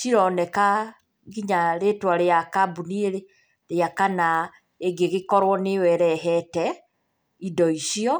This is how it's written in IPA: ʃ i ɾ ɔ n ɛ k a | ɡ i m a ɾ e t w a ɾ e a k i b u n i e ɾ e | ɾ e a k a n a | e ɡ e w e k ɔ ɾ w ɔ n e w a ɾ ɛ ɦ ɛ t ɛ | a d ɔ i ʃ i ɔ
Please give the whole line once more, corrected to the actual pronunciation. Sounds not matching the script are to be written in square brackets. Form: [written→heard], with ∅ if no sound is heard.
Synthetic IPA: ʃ i ɾ ɔ n ɛ k a | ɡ i [m→ɲ] a ɾ e t w a ɾ e a k [i→a] b u n i e ɾ e | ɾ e a k a n a | e ɡ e [w→ɣ] e k ɔ ɾ w ɔ n e w [a→ɛ] ɾ ɛ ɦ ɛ t ɛ | [a→i] d ɔ i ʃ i ɔ

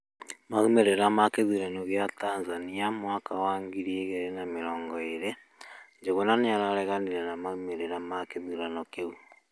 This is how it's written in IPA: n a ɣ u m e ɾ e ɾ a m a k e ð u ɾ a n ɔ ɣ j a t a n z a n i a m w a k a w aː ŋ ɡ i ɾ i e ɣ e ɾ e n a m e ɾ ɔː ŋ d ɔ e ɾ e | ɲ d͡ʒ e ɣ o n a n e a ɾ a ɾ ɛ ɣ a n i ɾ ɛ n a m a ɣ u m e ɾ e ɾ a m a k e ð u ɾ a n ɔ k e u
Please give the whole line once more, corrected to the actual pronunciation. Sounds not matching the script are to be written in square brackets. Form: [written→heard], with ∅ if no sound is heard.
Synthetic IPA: [n→m] a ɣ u m e ɾ e ɾ a m a k e ð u ɾ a n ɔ ɣ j a t a n z a n i a m w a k a w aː ŋ ɡ i ɾ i e ɣ e ɾ e n a m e ɾ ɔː ŋ [d→ɡ] ɔ e ɾ e | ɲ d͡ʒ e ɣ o n a n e a ɾ a ɾ ɛ ɣ a n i ɾ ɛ n a m a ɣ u m e ɾ e ɾ a m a k e ð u ɾ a n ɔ k e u

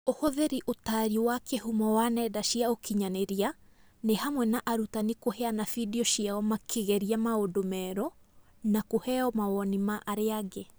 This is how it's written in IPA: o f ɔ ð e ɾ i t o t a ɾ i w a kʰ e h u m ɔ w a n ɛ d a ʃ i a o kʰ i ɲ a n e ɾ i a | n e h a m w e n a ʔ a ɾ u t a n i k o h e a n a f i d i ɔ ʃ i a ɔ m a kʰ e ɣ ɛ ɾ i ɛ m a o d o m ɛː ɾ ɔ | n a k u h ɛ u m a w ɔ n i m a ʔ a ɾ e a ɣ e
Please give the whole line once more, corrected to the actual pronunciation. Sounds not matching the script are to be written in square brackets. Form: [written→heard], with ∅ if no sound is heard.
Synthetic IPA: o [f→h] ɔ ð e ɾ i [t→ʔ] o t a ɾ i w a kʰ e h u m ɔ w a n ɛ d a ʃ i a o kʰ i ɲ a n e ɾ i a | n e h a m w [e→ɛ] n a ʔ a ɾ u t a n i k o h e a n a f i d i ɔ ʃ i a ɔ m a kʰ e ɣ ɛ ɾ i [ɛ→a] m a o d o m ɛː ɾ ɔ | n a k [u→o] h ɛ [u→ɔ] m a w ɔ n i m a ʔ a ɾ e a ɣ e

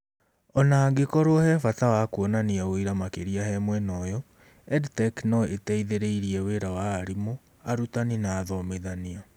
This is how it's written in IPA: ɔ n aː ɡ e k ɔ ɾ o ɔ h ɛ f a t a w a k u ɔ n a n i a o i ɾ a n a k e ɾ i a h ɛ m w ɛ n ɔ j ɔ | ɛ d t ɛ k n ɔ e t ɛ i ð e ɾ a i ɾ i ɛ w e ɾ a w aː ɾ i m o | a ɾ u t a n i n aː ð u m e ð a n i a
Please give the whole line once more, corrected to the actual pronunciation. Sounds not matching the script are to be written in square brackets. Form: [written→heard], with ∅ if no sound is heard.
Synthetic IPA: ɔ n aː ɡ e k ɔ ɾ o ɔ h ɛ f a t a w a k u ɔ n a n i a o i ɾ a [n→m] a k e ɾ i a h ɛ m w ɛ n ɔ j ɔ | ɛ d t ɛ k n ɔ e t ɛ i ð e ɾ [a→e] i ɾ i ɛ w e ɾ a w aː ɾ i m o | a ɾ u t a n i n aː ð [u→ɔ] m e ð a n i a

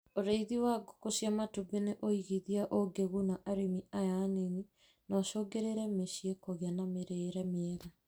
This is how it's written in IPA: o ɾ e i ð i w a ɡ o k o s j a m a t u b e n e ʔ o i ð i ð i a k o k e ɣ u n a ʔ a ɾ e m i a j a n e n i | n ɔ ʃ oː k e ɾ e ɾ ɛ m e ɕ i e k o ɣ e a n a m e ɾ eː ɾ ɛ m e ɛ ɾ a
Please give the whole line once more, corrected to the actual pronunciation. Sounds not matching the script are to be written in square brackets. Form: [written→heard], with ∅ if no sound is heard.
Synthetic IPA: o ɾ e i ð i w a ɡ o k o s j a m a t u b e n e ʔ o i [ð→ɣ] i ð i a [k→ʔ] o [k→ɡ] e ɣ u n a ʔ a ɾ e m i a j a n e n i | n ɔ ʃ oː [k→ɡ] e ɾ e ɾ ɛ m e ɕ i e k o ɣ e a n a m e ɾ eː ɾ ɛ m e ɛ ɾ a

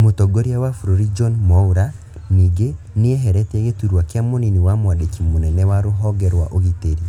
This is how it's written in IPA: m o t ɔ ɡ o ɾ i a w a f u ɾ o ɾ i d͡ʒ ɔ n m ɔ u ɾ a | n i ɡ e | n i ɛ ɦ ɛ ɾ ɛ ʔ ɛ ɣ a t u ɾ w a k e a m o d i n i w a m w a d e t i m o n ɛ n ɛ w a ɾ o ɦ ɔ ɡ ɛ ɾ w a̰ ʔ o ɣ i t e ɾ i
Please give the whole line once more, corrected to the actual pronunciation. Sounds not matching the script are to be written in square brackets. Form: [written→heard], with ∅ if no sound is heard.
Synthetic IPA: m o t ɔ ɡ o ɾ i a w a f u ɾ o ɾ i d͡ʒ ɔ n m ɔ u ɾ a | n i ɡ e | n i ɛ ɦ ɛ ɾ ɛ [ʔ→t] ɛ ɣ [a→e] t u ɾ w a k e a m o [d→n] i n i w a m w a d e [t→k] i m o n ɛ n ɛ w a ɾ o ɦ ɔ ɡ ɛ ɾ w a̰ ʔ o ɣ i t e ɾ i

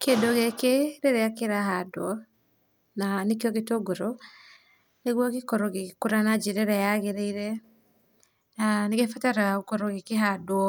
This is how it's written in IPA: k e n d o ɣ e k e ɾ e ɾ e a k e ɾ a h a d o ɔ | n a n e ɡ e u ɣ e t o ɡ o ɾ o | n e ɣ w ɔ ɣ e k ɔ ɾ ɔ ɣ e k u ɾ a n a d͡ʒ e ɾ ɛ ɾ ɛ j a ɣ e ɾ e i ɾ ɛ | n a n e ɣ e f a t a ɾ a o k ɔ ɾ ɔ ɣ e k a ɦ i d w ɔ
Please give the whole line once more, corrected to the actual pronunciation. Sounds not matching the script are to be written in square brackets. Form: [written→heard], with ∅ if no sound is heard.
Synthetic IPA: k e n d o ɣ e k e ɾ e ɾ e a k e ɾ a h a d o ɔ | n a n e [ɡ→k] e [u→ɔ] ɣ e t o ɡ o ɾ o | n e ɣ w ɔ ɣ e k ɔ ɾ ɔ ɣ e k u ɾ a n a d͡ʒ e ɾ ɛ ɾ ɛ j a ɣ e ɾ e i ɾ ɛ | n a n e ɣ e f a t a ɾ a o k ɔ ɾ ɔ ɣ e k [a→e] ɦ [i→a] d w ɔ

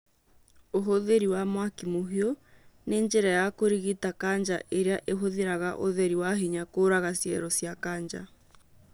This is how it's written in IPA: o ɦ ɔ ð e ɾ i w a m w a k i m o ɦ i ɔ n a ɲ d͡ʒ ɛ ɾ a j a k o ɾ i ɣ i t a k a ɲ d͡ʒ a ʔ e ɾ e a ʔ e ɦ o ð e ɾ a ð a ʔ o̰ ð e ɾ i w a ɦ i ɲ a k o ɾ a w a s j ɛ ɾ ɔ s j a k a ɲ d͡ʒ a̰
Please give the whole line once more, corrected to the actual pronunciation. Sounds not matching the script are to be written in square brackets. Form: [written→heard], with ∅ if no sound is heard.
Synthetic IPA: o ɦ [ɔ→o] ð e ɾ i w a m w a k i m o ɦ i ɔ n [a→e] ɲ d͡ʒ ɛ ɾ a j a k o ɾ i ɣ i t a k a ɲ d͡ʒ a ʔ e ɾ e a ʔ e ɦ o ð e ɾ a [ð→ɣ] a ʔ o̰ ð e ɾ i w a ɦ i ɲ a k o ɾ a [w→ɣ] a s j ɛ ɾ ɔ s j a k a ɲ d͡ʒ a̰

